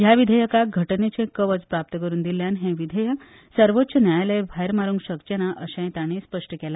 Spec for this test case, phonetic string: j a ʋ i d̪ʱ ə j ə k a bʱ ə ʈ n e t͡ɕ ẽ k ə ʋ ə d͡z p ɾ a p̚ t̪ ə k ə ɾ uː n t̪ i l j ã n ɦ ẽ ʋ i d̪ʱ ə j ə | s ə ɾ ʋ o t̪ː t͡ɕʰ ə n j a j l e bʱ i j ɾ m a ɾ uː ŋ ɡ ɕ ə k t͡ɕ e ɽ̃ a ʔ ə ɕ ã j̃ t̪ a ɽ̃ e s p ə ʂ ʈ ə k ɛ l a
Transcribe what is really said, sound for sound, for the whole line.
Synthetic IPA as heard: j a ʋ i d̪ʱ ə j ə k a ɡʱ ə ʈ n e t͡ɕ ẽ k ə ʋ ə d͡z p ɾ a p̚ t̪ ə k ə ɾ uː n d̪ i l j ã n ɦ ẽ ʋ i d̪ʱ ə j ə | s ə ɾ ʋ o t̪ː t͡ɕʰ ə n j a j l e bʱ a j ɾ m a ɾ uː ŋ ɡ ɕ ə k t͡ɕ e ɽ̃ a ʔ ə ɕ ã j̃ t̪ a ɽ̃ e s p ə ʂ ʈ ə k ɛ l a

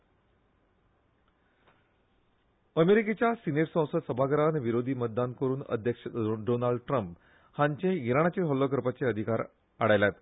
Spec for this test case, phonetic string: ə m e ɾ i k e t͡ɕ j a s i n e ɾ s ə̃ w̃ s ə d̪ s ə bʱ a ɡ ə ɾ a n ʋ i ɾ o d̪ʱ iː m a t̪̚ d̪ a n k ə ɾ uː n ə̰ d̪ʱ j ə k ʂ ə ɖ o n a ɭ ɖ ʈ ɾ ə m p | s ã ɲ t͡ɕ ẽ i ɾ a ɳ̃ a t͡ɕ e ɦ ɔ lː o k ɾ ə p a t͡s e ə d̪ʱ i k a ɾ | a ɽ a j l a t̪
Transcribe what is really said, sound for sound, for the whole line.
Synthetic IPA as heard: ə m e ɾ i k e t͡ɕ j a s i n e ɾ s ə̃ w̃ s ə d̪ s ə bʱ a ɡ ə ɾ a n ʋ i ɾ o d̪ʱ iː m ə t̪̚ d̪ a n k ə ɾ uː n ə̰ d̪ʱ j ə k ʂ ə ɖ o n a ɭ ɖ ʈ ɾ ə m p | h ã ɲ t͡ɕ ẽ i ɾ a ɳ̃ a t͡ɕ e ɦ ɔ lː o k ɾ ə p a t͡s e ə d̪ʱ i k a ɾ | a ɽ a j l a t̪

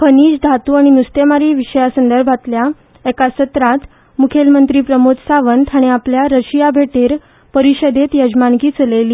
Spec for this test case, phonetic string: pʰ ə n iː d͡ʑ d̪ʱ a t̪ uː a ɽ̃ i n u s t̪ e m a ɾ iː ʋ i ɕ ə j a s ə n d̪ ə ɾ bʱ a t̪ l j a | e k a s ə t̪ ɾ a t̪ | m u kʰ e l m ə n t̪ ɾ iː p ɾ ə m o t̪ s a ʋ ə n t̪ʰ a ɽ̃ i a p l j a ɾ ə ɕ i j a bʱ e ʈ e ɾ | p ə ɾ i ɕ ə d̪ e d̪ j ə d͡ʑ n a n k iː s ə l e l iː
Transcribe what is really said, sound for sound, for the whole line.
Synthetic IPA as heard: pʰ ə n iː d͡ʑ d̪ʱ a t̪ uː a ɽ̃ i n u s t̪ e m a ɾ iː ʋ i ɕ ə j a s ə n d̪ ə ɾ bʱ a t̪ l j a | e k a s ə t̪ ɾ a t̪ | m u kʰ e l m ə n t̪ ɾ iː p ɾ ə m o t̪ s a ʋ ə n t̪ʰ a ɽ̃ i a p l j a ɾ ə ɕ i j a bʱ e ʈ e ɾ | p ə ɾ i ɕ ə d̪ e t̪ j ə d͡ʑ m a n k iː t͡s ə l e l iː

